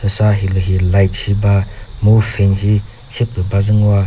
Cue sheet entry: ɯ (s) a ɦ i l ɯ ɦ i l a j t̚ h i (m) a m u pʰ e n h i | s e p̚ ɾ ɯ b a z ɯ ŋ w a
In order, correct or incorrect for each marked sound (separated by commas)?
correct, incorrect